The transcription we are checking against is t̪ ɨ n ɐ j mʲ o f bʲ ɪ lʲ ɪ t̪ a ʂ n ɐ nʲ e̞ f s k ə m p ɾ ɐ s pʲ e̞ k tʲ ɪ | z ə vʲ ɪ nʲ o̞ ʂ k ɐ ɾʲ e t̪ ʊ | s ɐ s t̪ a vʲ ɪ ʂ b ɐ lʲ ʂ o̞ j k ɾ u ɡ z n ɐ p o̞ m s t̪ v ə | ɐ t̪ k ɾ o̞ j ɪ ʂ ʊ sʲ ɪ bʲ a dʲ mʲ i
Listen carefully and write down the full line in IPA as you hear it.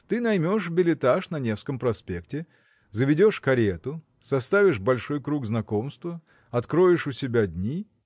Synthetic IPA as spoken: t̪ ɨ n ɐ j mʲ o ʂ bʲ ɪ lʲ ɪ t̪ a ʂ n ɐ nʲ e̞ f s k ə m p ɾ ɐ s pʲ e̞ k tʲ ɪ | z ə vʲ ɪ dʲ o̞ ʂ k ɐ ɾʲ e t̪ ʊ | s ɐ s t̪ a vʲ ɪ ʂ b ɐ lʲ ʂ o̞ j k ɾ u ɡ z n ɐ k o̞ m s t̪ v ə | ɐ t̪ k ɾ o̞ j ɪ ʂ ʊ sʲ ɪ bʲ a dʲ nʲ i